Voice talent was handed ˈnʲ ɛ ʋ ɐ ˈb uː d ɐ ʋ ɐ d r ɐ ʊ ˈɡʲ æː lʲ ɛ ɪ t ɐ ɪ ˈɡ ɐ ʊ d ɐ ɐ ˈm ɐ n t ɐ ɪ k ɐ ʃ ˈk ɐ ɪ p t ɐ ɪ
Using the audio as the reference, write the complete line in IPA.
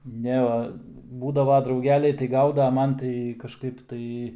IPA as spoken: ˈnʲ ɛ ʋ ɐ ˈb uː d ɐ ʋ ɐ d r ɐ ʊ ˈɡʲ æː lʲ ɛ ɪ t ɐ ɪ ˈɡ ɐ ʊ d ɐ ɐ ˈm ɐ n t ɐ ɪ k ɐ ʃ ˈk ɐ ɪ p t ɐ ɪ